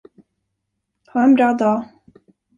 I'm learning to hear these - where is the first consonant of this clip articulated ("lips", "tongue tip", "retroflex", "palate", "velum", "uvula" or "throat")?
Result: throat